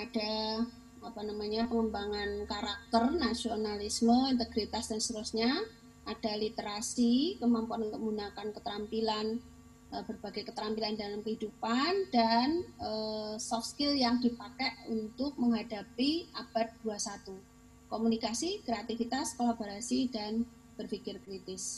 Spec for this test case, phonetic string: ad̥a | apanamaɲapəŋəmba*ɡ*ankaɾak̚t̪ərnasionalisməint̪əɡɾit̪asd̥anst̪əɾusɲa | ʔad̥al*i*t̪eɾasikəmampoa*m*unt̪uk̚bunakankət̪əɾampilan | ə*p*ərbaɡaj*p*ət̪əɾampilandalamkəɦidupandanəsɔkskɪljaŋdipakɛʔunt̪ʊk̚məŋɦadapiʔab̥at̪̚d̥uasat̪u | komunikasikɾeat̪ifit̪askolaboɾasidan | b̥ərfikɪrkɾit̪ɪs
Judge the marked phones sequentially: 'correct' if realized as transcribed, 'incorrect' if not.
incorrect, correct, incorrect, incorrect, incorrect

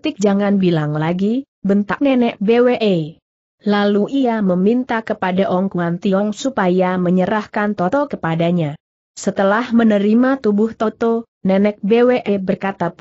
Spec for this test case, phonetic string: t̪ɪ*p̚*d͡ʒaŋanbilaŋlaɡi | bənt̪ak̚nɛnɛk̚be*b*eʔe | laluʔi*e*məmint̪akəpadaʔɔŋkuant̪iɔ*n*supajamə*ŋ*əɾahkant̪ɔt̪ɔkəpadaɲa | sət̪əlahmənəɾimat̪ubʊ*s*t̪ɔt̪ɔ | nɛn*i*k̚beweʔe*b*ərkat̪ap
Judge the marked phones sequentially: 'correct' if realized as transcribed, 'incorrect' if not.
incorrect, incorrect, incorrect, incorrect, incorrect, incorrect, incorrect, correct

